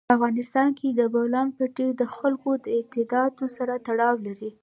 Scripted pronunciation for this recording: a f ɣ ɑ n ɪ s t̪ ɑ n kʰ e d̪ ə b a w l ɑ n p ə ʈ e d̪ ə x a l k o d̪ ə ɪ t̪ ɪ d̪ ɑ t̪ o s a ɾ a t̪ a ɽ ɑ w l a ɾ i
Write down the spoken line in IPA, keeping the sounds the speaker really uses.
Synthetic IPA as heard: a f ɣ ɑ n ɪ s t̪ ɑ n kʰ e d̪ ə b a w l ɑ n p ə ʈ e d̪ ə x a l k o d̪ ə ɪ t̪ ɪ d̪ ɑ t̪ o s a ɾ a t̪ a ɽ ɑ w l a ɾ i